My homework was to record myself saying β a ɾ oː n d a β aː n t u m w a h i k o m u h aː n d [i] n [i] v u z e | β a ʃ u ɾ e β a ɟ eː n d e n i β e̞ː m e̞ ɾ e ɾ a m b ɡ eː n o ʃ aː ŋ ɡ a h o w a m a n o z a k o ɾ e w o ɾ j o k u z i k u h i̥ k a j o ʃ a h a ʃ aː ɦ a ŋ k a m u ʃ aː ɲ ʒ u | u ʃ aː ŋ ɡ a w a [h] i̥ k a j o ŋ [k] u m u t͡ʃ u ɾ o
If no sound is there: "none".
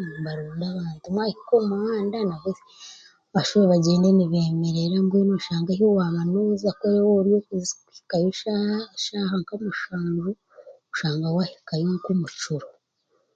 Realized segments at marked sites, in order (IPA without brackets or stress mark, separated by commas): a, a, h, k